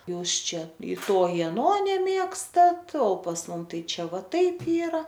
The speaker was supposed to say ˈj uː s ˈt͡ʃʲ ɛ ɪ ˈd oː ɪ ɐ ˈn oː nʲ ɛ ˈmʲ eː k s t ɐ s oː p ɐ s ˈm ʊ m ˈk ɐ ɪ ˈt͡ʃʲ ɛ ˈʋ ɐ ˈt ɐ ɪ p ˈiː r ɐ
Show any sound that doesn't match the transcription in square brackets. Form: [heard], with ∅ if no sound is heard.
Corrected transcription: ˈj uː s ˈt͡ʃʲ ɛ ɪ [ˈt] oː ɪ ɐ ˈn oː nʲ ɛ ˈmʲ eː k s t ɐ [t] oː p ɐ s ˈm ʊ m [ˈt] ɐ ɪ ˈt͡ʃʲ ɛ ˈʋ ɐ ˈt ɐ ɪ p ˈiː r ɐ